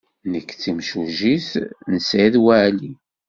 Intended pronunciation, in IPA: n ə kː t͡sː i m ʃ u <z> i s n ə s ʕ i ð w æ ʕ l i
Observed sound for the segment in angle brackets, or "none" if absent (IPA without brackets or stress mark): ʒ